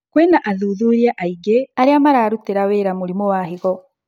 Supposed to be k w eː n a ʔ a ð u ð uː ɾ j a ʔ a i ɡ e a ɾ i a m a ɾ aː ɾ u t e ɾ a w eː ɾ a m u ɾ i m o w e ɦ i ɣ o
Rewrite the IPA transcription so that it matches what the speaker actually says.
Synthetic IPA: k w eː n a ʔ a ð u ð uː ɾ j a ʔ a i ɡ e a ɾ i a m a ɾ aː ɾ u t e ɾ a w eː ɾ a m u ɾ i m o w a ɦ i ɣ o

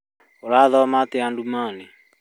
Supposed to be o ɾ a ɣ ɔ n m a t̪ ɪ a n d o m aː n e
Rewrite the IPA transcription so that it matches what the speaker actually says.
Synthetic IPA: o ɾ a ð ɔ m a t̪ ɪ a n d u m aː n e

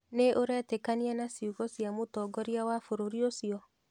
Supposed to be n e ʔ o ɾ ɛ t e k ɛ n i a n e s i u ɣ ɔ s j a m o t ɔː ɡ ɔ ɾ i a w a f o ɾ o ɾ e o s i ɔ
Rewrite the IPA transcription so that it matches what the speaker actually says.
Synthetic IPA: n e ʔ o ɾ ɛ t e k a n i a n a s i u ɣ ɔ s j a m o t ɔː ɡ ɔ ɾ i a w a f o ɾ o ɾ i o s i ɔ

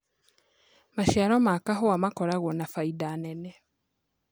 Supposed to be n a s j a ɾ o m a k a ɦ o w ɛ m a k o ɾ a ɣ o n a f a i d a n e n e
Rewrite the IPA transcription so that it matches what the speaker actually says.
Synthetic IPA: m a ʃ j a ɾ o m a k a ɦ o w a m a k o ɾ a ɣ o n a f a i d a n e n e

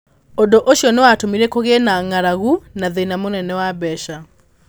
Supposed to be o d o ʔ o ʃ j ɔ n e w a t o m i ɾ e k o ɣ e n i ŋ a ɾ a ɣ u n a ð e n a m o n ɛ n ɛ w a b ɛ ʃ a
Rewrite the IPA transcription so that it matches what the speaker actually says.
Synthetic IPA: o d o ʔ o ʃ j ɔ n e w a t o m i ɾ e k o ɣ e n a ŋ a ɾ a ɣ u n a ð e n a m o n ɛ n ɛ w a b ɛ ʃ a

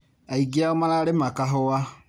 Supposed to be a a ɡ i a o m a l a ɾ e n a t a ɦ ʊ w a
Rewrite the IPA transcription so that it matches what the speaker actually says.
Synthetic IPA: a i ɡ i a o m a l a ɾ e m a k a ɦ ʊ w a

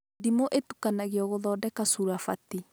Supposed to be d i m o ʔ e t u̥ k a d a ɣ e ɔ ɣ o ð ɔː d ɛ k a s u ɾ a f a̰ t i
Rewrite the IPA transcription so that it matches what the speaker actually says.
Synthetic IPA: d i m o ʔ e t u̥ k a n a ɣ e ɔ ɣ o ð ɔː d ɛ k a s u ɾ a f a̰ t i

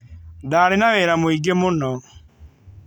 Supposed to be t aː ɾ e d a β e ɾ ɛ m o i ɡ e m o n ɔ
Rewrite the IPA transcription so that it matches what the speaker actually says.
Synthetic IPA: d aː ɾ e n a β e ɾ a m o i ɡ e m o n ɔ

